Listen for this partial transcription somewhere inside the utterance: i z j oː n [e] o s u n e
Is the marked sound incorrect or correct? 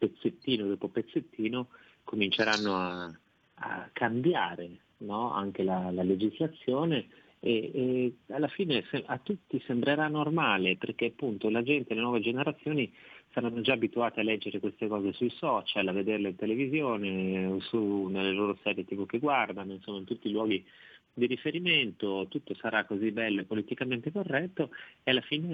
correct